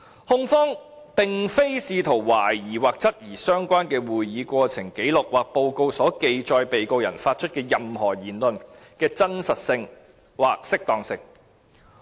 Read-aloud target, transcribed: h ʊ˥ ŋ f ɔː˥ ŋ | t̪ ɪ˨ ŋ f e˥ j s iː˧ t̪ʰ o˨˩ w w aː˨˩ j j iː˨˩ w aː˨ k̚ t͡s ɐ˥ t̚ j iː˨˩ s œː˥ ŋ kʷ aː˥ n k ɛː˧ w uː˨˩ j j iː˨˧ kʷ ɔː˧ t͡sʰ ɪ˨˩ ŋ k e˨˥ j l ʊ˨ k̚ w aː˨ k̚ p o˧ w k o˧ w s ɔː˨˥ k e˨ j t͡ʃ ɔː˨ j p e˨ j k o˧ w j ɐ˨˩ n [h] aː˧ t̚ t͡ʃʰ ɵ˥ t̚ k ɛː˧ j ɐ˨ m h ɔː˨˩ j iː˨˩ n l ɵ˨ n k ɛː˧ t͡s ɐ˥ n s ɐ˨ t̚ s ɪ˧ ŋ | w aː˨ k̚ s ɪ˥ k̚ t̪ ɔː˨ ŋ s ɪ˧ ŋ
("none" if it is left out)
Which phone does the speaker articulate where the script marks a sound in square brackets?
f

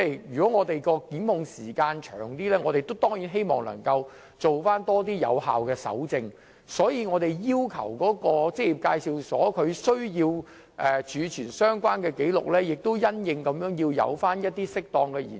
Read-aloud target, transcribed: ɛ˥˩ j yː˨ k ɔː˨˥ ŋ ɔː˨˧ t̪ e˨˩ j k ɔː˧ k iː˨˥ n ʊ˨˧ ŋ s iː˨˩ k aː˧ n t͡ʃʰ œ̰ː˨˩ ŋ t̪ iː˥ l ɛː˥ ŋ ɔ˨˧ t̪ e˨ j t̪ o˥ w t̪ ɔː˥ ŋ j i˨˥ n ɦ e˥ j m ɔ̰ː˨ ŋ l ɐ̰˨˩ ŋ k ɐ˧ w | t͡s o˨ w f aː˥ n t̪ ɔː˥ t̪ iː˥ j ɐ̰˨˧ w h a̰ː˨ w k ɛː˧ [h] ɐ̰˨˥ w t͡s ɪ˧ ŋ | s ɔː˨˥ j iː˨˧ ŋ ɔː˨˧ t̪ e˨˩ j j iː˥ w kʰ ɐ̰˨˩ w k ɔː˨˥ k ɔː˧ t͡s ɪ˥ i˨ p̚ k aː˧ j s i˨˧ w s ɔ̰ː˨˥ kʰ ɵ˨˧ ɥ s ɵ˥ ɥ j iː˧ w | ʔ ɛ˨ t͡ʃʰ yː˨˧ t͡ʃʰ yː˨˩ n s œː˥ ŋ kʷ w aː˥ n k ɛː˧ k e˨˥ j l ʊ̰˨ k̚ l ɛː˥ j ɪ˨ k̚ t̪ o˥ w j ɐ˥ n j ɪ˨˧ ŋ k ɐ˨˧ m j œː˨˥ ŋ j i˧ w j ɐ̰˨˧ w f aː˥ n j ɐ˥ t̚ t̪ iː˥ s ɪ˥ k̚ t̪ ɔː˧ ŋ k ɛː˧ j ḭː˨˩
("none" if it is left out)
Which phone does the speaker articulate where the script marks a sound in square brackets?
s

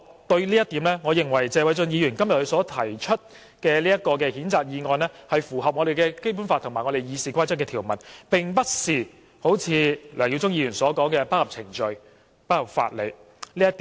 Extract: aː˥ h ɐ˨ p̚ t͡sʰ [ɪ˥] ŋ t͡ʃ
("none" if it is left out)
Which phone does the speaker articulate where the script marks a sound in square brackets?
ɪ˨˩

